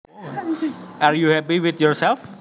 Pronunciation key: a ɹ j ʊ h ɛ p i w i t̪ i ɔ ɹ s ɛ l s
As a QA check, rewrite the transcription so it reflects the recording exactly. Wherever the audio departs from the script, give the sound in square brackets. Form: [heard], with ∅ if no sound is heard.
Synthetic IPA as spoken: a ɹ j [u] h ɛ p i w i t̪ [j] ɔ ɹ s ɛ l [f]